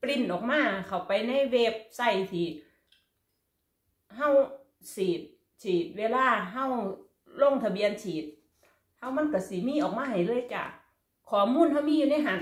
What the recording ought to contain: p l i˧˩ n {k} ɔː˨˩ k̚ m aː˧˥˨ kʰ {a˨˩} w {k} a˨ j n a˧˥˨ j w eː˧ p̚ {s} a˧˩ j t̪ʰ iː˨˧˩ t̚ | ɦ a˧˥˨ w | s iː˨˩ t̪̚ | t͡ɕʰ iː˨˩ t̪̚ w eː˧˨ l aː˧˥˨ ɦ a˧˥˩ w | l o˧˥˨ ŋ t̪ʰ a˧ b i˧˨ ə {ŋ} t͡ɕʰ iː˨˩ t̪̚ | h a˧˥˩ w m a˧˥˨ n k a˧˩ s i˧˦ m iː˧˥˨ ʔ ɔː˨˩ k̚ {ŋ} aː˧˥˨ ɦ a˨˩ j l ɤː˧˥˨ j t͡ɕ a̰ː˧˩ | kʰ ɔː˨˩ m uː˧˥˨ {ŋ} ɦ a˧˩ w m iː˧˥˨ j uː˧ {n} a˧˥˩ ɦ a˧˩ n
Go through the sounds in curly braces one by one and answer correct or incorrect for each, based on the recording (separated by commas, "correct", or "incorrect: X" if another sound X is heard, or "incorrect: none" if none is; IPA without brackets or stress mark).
incorrect: ʔ, correct, incorrect: p, correct, incorrect: n, incorrect: m, incorrect: n, correct